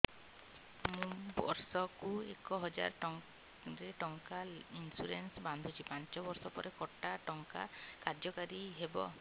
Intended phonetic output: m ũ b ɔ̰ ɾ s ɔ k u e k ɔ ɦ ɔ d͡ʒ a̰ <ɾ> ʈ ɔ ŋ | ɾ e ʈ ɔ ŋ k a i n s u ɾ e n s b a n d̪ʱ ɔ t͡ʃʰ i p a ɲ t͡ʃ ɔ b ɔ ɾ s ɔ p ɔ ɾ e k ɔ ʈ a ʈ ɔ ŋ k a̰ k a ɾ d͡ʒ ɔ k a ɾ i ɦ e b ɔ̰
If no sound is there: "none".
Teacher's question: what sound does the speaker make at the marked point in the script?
ɾ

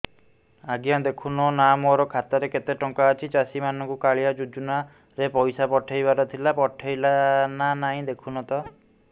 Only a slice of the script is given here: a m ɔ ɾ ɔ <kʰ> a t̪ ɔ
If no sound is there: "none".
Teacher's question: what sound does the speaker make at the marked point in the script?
kʰ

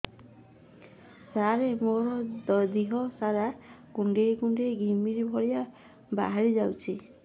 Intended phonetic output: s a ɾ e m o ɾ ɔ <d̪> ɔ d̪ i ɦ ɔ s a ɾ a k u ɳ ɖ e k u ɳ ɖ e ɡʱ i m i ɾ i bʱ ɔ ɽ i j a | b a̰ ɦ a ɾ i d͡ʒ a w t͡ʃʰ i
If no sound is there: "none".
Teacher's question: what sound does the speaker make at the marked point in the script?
d̪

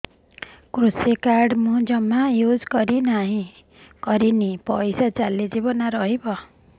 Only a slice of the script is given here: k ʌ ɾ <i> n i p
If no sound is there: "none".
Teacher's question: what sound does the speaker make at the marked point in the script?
i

